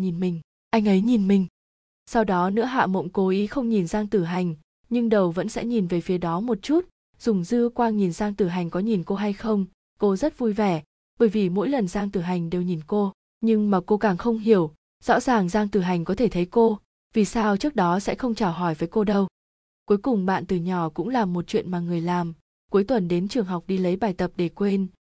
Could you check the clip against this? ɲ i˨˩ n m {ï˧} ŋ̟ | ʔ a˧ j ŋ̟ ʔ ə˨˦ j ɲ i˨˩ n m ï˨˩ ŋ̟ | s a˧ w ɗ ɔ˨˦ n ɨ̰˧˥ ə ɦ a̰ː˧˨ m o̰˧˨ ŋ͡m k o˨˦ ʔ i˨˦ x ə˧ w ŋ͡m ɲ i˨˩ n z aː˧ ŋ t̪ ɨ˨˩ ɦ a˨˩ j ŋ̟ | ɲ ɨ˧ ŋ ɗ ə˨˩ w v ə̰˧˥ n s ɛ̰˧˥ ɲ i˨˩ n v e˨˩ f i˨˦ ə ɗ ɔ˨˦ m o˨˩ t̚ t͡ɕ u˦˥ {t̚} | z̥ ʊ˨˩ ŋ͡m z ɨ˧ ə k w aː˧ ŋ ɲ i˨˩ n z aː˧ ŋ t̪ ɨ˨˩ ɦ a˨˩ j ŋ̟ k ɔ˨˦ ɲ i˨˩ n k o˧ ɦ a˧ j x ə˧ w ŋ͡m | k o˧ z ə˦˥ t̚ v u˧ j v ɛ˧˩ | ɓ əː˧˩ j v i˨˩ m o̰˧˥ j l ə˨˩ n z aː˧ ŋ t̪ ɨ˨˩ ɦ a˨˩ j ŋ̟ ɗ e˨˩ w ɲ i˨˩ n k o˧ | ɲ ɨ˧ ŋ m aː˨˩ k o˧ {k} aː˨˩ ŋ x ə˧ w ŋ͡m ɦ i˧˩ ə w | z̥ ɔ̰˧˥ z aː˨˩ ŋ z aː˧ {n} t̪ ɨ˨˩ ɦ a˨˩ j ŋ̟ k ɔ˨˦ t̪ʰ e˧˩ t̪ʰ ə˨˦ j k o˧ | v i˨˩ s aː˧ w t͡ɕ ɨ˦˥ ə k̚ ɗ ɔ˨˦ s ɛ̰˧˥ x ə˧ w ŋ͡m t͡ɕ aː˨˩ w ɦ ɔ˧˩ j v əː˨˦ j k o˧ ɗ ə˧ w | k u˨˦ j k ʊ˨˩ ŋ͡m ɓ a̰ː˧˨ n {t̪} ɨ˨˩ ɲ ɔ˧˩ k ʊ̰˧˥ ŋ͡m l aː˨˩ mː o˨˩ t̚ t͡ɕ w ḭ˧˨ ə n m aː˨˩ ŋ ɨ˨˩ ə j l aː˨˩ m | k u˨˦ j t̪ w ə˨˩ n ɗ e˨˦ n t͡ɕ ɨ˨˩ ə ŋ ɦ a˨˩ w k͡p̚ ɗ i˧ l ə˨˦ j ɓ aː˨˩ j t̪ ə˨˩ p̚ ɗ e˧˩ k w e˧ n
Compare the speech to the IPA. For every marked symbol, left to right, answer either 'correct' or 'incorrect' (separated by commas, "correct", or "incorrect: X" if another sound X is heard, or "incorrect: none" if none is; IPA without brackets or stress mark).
incorrect: ï˨˩, correct, correct, incorrect: ŋ, correct